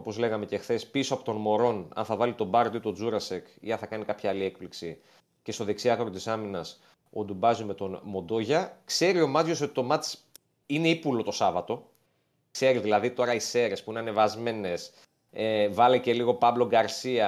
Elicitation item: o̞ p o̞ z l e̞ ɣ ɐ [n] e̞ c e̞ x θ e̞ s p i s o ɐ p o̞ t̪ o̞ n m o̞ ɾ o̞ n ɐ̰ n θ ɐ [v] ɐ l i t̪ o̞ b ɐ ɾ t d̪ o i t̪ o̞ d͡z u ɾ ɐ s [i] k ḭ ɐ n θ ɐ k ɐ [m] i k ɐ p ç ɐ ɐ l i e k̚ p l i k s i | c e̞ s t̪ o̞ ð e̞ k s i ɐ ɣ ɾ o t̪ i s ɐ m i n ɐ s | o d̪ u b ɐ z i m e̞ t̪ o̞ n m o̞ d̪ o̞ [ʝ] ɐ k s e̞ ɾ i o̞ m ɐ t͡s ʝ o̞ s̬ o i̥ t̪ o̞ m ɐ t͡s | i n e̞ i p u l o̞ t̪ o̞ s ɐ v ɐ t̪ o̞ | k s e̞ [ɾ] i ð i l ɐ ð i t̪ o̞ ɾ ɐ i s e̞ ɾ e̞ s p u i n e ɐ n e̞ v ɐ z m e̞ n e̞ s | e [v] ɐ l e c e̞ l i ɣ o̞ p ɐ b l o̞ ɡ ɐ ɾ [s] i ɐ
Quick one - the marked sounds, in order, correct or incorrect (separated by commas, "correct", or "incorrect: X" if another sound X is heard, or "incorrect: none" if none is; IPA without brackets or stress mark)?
incorrect: m, correct, incorrect: e, incorrect: n, correct, correct, correct, correct